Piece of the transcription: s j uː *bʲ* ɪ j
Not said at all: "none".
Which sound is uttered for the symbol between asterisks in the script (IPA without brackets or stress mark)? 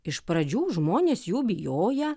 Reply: bʲ